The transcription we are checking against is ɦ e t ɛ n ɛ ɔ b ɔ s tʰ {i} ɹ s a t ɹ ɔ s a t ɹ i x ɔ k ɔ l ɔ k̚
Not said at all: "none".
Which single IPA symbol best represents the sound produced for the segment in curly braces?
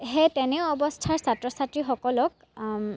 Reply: a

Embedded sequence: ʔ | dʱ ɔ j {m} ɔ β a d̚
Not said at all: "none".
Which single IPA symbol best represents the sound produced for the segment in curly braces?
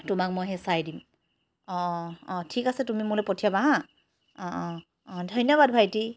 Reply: n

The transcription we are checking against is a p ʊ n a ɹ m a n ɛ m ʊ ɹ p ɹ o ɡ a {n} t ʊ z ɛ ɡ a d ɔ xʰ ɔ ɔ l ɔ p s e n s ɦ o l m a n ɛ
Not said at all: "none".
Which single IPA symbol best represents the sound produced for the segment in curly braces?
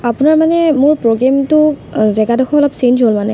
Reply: m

